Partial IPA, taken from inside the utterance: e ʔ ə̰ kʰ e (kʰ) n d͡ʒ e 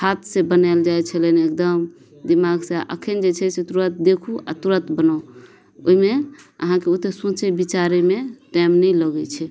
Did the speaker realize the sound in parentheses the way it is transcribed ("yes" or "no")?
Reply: no